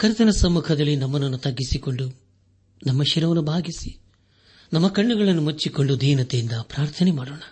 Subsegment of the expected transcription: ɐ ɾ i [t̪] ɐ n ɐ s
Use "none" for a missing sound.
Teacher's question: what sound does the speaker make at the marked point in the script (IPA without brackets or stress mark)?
t̪